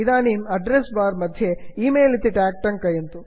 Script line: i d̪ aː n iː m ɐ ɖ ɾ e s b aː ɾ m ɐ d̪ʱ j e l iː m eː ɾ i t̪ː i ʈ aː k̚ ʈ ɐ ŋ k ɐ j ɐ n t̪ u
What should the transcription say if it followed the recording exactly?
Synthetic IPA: i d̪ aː n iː m ɐ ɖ ɾ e s b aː ɾ m ɐ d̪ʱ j e iː m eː l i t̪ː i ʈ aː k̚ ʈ ɐ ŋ k ɐ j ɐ n t̪ u